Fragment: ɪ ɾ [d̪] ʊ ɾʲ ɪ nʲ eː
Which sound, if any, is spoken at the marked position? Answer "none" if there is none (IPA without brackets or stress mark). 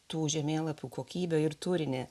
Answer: t̪